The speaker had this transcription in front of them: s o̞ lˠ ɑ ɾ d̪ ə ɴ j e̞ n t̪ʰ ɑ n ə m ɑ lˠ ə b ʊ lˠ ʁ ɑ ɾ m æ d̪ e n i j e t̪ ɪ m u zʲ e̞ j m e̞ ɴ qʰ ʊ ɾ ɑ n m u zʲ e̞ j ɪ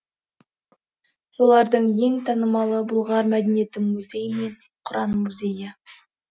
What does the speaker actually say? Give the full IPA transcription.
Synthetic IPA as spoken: s o̞ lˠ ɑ ɾ d̪ ə ɴ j e̞ ŋ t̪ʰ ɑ n ə m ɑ lˠ ə b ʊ lˠ ʁ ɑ ɾ m æ d̪ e n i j e t̪ ɪ m u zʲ e̞ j m e̞ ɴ qʰ ʊ ɾ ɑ n m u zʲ e̞ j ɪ